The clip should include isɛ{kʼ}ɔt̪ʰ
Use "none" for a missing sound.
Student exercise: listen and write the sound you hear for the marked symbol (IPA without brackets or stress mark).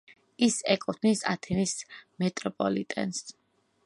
kʼ